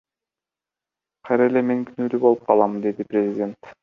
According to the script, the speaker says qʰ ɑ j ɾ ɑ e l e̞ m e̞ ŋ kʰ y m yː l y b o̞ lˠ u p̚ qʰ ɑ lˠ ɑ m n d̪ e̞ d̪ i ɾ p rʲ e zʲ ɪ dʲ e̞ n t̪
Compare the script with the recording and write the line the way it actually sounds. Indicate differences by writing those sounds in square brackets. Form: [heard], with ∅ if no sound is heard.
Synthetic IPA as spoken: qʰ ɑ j ɾ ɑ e l e̞ m e̞ ŋ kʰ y [n] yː l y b o̞ lˠ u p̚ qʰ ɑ lˠ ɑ m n d̪ e̞ d̪ i [∅] p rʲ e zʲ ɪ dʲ e̞ n t̪